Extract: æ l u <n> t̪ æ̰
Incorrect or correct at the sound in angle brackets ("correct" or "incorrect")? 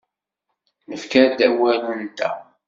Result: correct